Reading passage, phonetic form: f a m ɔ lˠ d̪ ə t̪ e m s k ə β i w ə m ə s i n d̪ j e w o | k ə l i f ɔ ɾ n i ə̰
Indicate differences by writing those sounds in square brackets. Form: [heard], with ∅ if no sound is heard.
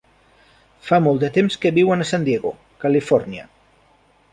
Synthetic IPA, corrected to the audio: f a m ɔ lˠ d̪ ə t̪ e m s k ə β i w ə [n] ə s [a] n d̪ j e [ɣ] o | k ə l i f ɔ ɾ n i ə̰